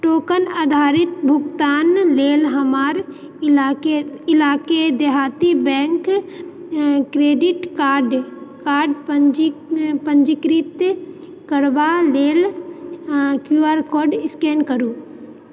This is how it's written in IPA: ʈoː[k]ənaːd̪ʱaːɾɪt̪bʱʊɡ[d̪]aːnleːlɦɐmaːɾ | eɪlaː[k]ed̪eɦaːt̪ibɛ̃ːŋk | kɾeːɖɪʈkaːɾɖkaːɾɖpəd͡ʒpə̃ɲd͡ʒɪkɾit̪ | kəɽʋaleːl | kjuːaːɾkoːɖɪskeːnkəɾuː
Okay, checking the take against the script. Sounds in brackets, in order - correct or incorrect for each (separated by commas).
correct, incorrect, correct